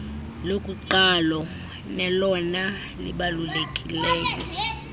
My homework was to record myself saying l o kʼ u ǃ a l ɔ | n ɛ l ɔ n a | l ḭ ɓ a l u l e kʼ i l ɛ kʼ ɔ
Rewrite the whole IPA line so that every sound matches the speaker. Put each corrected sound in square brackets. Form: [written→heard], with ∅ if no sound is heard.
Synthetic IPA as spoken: l o kʼ u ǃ a l ɔ | n ɛ l ɔ n a | l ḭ ɓ a l u l e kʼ i l [ɛ→ɛː] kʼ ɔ